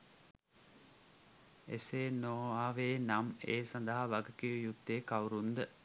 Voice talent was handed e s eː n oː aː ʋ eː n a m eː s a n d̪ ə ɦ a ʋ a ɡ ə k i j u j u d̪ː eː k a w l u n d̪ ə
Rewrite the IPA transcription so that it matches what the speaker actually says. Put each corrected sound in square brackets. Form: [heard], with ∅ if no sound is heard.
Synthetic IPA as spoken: e s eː n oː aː ʋ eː n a m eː s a n d̪ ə ɦ a ʋ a ɡ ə k i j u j u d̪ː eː k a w [ɾ] u n d̪ ə